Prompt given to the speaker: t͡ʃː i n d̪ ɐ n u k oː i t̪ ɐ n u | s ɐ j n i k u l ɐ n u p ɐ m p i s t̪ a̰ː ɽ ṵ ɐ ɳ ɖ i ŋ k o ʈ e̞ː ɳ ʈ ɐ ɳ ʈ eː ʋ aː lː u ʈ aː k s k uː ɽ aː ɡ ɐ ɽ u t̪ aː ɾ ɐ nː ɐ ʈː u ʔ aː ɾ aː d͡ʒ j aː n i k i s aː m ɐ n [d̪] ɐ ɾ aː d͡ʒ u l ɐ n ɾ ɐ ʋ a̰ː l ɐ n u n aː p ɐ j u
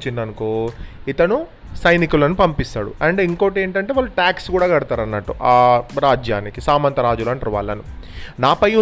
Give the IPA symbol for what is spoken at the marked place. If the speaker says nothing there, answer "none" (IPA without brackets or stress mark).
t̪